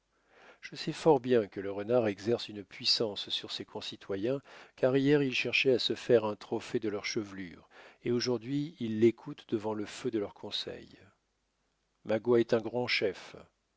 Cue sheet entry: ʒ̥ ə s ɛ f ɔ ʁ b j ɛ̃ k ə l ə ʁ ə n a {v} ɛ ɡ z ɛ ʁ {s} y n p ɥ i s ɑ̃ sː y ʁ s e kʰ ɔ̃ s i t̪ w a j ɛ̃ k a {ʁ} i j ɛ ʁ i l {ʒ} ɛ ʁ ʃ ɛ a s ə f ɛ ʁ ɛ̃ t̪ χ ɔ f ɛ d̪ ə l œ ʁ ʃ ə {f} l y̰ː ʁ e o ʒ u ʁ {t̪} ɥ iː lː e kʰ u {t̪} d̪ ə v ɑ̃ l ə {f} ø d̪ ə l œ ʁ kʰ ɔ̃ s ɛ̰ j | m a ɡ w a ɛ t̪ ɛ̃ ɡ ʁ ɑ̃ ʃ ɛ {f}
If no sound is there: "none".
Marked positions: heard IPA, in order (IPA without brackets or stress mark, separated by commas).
ʁ, s, ʁ, ʃ, v, d̪, t̪, f, f